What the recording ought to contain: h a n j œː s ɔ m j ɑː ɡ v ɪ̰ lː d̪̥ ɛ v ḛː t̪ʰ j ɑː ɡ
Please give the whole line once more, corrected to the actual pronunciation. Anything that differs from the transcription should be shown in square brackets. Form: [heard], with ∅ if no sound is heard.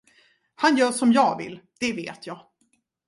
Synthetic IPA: h a n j œː [ʂ] ɔ m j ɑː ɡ v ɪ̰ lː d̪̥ ɛ v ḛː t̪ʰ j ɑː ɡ

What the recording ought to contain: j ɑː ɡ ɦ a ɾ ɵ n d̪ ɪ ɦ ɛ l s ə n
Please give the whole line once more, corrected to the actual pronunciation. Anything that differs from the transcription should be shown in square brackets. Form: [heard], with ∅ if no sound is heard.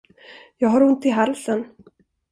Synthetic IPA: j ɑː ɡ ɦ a ɾ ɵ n [t̪] ɪ ɦ [a] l s ə n

